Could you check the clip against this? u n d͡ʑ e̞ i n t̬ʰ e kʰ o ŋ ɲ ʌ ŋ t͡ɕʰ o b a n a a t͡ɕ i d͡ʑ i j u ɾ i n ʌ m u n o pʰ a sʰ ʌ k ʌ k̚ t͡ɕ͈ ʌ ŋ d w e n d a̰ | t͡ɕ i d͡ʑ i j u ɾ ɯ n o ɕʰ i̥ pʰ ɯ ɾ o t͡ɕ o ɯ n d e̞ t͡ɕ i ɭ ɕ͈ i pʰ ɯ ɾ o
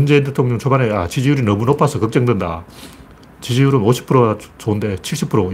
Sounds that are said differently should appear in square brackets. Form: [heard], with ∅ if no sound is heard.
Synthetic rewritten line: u n d͡ʑ e̞ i n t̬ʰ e [tʰ] o ŋ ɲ ʌ ŋ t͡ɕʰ o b a n [e] a t͡ɕ i d͡ʑ i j u ɾ i n ʌ m u n o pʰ a sʰ ʌ k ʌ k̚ t͡ɕ͈ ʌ ŋ d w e n d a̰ | t͡ɕ i d͡ʑ i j u ɾ ɯ n o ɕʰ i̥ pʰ ɯ ɾ o t͡ɕ o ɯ n d e̞ [t͡ɕʰ] i ɭ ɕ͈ i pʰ ɯ ɾ o